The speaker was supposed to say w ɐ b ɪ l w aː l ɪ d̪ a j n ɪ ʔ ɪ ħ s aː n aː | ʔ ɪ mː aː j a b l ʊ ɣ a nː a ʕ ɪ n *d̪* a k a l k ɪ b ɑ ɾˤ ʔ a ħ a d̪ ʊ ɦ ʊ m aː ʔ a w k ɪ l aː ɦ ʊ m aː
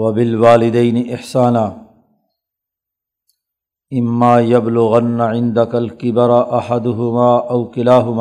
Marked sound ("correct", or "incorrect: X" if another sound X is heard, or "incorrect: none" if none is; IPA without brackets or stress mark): correct